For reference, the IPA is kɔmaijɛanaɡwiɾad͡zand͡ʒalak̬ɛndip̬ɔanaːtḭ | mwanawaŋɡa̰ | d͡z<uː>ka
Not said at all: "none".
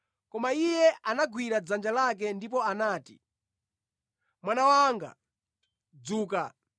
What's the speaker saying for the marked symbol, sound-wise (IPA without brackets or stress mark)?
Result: uː